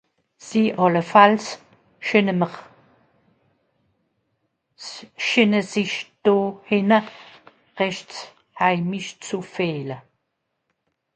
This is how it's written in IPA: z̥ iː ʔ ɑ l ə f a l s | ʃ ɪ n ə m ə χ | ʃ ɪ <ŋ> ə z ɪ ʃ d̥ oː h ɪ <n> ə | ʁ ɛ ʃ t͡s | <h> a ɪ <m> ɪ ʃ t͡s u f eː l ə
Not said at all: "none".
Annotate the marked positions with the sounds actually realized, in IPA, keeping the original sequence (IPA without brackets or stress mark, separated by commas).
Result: n, n, h, m